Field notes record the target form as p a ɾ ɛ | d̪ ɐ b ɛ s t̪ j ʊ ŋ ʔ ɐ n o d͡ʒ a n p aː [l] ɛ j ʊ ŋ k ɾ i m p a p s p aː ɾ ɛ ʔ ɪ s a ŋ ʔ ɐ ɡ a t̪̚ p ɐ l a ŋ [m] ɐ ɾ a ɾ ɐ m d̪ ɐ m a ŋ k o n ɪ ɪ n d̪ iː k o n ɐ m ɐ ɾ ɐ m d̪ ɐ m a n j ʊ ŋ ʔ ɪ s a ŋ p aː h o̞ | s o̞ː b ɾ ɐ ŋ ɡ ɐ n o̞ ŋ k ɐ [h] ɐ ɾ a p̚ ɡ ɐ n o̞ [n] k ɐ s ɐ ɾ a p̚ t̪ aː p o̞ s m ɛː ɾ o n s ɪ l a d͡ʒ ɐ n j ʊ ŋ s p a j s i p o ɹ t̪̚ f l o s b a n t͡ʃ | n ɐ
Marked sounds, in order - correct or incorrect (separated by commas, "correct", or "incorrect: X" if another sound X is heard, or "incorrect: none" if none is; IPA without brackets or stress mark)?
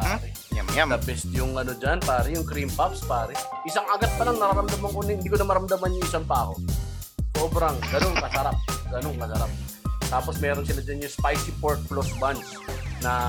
incorrect: ɾ, incorrect: n, incorrect: s, incorrect: ŋ